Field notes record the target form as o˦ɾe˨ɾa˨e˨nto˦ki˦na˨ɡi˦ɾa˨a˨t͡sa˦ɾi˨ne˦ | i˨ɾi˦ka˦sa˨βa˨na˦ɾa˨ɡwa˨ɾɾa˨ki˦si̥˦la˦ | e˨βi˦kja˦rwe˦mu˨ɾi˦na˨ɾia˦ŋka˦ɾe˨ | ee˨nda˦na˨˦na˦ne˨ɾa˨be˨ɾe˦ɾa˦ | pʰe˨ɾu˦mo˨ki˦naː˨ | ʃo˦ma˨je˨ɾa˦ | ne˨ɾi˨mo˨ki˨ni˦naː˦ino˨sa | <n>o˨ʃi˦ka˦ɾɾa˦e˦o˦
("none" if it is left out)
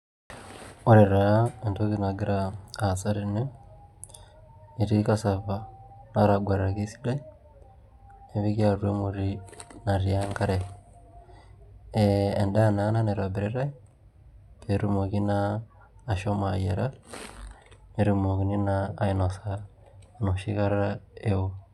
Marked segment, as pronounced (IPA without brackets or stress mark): n